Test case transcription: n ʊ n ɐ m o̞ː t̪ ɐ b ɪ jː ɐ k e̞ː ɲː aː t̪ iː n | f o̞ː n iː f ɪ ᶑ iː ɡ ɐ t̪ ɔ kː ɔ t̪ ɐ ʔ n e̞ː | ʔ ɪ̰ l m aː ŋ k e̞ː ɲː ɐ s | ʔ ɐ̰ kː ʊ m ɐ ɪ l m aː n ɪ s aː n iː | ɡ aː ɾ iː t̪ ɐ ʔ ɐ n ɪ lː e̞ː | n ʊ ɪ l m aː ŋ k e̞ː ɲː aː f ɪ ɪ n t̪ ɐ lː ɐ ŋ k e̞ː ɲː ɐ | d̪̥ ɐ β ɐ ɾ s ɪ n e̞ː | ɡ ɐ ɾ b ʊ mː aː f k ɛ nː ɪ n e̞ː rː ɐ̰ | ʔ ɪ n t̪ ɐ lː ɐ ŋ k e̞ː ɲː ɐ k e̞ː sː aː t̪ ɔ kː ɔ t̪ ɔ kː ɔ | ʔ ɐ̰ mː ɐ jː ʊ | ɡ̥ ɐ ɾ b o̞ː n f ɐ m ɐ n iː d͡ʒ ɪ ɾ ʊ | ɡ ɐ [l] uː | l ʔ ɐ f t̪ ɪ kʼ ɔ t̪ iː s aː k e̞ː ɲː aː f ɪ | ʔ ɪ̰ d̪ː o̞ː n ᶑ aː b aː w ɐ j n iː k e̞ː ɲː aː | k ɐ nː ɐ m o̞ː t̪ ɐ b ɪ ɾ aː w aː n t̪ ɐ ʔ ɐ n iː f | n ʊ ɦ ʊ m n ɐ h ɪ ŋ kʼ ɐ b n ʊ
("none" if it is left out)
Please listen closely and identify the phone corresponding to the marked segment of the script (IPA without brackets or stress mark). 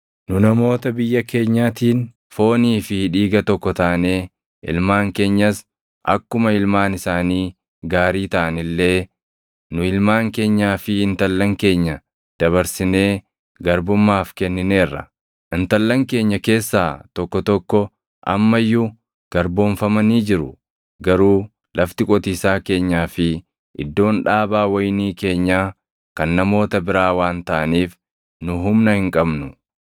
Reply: ɾ